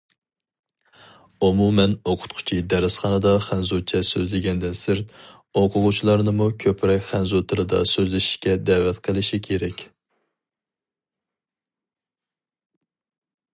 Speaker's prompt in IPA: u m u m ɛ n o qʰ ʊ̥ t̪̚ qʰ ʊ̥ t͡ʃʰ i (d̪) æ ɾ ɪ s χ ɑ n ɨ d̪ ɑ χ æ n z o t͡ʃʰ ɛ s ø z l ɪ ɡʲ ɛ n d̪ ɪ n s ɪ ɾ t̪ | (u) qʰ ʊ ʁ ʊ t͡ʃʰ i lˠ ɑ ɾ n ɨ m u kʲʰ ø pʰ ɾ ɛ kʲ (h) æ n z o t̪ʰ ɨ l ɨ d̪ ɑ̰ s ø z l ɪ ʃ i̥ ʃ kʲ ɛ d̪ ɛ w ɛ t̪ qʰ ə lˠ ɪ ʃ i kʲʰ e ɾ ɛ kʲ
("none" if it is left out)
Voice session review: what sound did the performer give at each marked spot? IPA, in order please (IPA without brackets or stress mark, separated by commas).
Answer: d̪, o, χ